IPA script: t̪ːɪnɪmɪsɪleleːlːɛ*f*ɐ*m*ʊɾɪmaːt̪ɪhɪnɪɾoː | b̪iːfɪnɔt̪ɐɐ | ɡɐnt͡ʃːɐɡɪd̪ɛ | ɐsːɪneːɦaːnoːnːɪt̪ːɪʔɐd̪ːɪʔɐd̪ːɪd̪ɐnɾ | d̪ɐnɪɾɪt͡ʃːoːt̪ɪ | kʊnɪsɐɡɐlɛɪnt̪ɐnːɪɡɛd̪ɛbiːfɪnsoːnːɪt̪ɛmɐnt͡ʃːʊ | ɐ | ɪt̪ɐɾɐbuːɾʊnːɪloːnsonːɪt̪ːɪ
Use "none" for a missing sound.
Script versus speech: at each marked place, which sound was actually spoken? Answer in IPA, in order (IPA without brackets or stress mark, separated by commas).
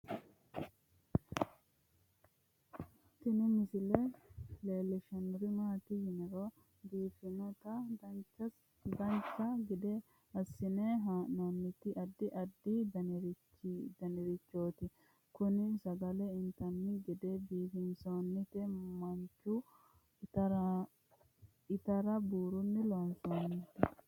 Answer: ʃ, n